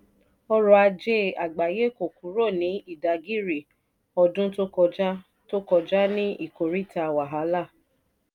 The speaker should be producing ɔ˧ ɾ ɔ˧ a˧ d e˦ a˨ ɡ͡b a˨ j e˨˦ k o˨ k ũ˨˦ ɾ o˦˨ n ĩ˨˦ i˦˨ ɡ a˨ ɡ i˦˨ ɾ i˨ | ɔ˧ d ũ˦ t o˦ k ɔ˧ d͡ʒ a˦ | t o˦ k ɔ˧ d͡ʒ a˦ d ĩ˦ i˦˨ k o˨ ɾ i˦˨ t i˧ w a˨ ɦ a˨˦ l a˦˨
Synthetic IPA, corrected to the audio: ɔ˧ ɾ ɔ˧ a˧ d͡ʒ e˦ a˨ ɡ͡b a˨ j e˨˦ k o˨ k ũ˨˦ ɾ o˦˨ n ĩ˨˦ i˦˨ d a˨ ɡ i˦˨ ɾ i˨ | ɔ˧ d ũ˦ t o˦ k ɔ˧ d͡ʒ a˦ | t o˦ k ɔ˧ d͡ʒ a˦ n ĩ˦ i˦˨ k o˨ ɾ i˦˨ t a˧ w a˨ ɦ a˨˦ l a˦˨

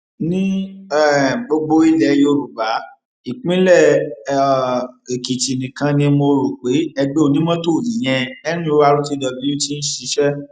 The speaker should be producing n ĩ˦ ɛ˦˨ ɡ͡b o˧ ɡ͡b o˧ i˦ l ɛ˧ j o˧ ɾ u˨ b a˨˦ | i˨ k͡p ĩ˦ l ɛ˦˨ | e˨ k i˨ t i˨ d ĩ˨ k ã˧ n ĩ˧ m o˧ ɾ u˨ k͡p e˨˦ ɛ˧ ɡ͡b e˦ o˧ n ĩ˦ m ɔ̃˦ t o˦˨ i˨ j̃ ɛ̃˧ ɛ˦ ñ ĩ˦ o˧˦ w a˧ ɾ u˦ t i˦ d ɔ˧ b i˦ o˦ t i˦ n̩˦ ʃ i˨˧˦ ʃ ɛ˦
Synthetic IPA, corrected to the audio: n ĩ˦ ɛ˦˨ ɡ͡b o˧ ɡ͡b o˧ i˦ l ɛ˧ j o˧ ɾ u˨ b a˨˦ | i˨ k͡p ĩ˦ l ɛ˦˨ | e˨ k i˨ t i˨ n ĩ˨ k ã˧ n ĩ˧ m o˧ ɾ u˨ k͡p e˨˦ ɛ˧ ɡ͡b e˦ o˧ n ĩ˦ m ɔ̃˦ t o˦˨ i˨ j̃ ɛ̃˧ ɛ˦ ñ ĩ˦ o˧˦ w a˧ ɾ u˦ t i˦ d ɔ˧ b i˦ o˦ t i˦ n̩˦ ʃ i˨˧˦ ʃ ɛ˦

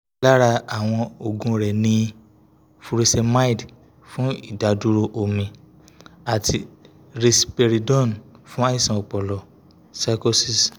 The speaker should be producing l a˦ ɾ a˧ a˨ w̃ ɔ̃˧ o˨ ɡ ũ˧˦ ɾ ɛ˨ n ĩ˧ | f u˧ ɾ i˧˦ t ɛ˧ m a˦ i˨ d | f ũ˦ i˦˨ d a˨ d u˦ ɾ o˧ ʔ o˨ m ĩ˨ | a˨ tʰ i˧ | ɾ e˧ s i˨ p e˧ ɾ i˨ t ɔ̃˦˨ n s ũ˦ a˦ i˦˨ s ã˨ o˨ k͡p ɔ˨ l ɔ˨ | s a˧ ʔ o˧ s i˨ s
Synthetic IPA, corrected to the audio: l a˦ ɾ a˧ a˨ w̃ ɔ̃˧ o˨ ɡ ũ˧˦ ɾ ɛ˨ n ĩ˧ | f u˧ ɾ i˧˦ s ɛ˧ m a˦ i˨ d | f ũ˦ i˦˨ d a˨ d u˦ ɾ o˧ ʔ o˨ m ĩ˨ | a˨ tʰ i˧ | ɾ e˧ s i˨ p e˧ ɾ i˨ d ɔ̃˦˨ n f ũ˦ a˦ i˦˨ s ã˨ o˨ k͡p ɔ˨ l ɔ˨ | s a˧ k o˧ s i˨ s

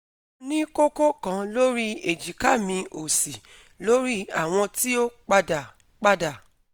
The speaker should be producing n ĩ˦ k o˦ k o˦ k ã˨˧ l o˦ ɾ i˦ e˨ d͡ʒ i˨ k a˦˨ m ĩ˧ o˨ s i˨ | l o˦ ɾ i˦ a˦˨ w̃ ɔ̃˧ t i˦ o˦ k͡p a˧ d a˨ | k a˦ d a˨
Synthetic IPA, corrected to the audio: n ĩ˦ k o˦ k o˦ k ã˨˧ l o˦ ɾ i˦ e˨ d͡ʒ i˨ k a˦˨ m ĩ˧ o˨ s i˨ | l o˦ ɾ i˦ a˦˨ w̃ ɔ̃˧ t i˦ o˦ k͡p a˧ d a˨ | k͡p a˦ d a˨

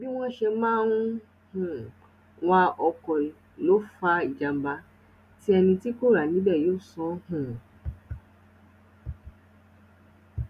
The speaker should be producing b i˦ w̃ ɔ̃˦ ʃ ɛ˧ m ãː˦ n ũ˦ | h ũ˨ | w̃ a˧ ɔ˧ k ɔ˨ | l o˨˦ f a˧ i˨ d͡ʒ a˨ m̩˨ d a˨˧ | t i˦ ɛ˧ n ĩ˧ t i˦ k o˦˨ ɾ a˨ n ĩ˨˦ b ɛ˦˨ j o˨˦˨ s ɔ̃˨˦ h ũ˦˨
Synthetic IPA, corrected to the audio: b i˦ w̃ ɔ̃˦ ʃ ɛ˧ m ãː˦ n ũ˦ | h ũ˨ | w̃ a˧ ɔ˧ k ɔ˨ | l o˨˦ f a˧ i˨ d͡ʒ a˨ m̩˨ b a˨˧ | t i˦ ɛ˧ n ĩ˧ t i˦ k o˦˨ ɾ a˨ n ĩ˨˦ b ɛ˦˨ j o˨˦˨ s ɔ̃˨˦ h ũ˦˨

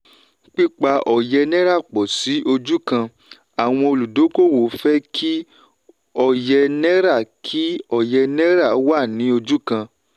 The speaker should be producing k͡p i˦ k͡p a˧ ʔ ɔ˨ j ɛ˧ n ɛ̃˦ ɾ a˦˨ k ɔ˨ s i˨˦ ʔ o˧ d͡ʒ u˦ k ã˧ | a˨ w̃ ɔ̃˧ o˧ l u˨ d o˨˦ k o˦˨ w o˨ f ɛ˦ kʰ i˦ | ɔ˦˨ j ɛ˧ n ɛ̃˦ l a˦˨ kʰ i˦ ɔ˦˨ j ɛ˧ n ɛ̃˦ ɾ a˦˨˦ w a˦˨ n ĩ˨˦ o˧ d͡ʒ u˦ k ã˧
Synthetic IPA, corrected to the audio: k͡p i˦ k͡p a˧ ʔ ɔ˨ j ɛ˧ n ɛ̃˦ ɾ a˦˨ k͡p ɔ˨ s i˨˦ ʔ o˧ d͡ʒ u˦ k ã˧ | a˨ w̃ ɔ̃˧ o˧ l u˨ d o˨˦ k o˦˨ w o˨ f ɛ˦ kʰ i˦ | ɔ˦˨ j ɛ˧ n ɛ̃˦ ɾ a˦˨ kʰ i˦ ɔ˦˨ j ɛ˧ n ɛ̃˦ ɾ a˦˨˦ w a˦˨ n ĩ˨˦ o˧ d͡ʒ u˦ k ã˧

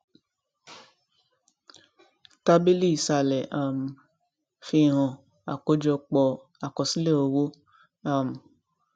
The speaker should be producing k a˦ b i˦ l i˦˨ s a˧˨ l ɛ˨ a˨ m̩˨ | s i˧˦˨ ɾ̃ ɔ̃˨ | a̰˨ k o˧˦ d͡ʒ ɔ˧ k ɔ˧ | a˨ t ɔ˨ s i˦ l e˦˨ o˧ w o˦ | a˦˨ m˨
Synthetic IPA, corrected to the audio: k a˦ b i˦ l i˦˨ s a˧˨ l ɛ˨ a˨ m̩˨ | f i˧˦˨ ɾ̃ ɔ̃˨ | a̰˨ k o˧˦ d͡ʒ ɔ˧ k͡p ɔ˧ | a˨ k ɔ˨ s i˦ l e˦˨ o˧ w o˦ | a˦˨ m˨

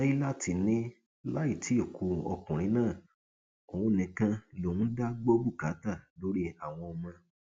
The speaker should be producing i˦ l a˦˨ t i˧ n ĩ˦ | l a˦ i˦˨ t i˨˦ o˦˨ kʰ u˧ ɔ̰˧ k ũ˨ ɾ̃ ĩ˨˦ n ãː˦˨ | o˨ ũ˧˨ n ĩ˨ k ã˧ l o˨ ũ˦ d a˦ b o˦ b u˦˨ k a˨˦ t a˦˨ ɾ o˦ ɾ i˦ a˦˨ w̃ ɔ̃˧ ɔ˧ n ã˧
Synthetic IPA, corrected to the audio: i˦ l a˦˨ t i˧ n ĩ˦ | l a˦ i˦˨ t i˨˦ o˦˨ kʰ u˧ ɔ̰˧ k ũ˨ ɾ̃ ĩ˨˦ n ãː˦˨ | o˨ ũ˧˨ n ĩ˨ k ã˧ l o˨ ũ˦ d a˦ ɡ͡b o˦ b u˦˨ k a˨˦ t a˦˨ l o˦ ɾ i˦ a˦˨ w̃ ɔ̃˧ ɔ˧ m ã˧

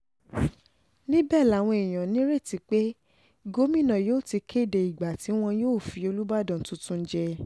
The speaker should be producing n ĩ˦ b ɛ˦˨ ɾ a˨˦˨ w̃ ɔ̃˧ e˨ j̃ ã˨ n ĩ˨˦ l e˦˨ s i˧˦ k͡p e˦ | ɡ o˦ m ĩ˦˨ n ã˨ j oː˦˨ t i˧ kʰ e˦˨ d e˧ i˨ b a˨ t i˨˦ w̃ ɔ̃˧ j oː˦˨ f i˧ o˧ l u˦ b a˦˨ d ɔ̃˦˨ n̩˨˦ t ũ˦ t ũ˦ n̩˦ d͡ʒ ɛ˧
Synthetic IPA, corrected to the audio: n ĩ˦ b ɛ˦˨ l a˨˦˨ w̃ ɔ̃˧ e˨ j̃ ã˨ n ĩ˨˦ ɾ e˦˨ t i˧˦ k͡p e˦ | ɡ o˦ m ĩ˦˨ n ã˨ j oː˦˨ t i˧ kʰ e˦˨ d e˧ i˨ ɡ͡b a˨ t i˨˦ w̃ ɔ̃˧ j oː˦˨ f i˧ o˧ l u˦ b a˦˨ d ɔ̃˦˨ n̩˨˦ t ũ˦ t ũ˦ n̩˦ d͡ʒ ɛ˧

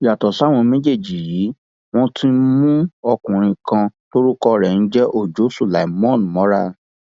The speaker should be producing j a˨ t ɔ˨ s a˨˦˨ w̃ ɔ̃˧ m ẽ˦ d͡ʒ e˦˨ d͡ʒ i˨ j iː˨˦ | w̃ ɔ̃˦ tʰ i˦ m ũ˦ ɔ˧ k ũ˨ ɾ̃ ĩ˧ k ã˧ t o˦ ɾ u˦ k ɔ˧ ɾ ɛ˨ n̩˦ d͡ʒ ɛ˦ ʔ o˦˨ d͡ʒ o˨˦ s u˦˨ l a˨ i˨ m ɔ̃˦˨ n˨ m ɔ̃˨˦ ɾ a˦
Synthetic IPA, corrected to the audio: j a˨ t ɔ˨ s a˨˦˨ w̃ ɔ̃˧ m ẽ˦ d͡ʒ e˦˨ d͡ʒ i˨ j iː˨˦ | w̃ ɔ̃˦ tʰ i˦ m ũ˦ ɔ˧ k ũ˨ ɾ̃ ĩ˧ k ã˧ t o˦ ɾ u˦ k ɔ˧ ɾ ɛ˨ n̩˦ d͡ʒ ɛ˦ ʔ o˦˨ d͡ʒ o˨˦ s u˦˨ l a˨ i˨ m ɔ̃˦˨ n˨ m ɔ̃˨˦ ɾ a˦

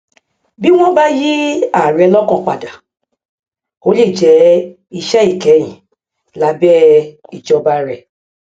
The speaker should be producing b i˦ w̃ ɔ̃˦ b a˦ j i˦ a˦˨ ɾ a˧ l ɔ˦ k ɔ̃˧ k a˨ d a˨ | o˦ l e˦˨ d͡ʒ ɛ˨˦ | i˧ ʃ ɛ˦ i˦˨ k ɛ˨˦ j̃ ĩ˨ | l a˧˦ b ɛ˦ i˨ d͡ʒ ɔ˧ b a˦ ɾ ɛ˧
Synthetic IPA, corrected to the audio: b i˦ w̃ ɔ̃˦ b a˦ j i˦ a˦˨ ɾ ɛ˧ l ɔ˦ k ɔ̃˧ k͡p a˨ d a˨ | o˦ l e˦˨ d͡ʒ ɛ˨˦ | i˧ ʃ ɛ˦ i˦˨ k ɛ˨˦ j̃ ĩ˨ | l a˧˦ b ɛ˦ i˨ d͡ʒ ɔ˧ b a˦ ɾ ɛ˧

